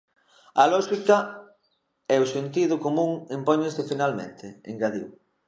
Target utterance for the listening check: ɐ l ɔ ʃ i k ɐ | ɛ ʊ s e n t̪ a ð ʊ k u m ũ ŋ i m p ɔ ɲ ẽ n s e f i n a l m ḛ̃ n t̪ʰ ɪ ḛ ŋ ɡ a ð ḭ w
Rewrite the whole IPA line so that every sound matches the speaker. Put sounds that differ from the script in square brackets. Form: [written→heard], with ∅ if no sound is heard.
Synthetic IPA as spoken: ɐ l ɔ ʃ i k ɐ | ɛ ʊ s e n t̪ [a→i] ð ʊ k [u→o] m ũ ŋ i m p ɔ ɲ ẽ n s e f i n a l m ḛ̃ n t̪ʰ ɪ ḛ ŋ ɡ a ð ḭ w